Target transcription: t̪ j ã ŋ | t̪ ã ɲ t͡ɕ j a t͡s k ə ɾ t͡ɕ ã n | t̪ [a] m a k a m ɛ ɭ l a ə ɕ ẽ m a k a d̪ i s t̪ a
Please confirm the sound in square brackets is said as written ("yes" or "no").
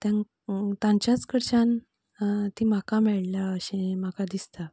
no